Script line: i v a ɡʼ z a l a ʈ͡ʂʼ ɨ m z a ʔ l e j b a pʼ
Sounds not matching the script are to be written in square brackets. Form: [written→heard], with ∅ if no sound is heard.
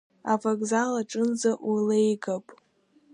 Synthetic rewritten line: [i→a] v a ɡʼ z a l a ʈ͡ʂʼ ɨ [m→n] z a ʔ l e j [b→ɡ] a pʼ